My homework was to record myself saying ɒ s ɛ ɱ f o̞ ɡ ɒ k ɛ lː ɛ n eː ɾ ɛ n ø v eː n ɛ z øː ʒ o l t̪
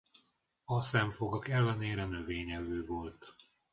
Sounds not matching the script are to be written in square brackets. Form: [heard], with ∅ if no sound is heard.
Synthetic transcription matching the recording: ɒ s ɛ ɱ f o̞ ɡ ɒ k ɛ lː ɛ n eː ɾ ɛ n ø v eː [ɲ] ɛ [v] øː [v] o l t̪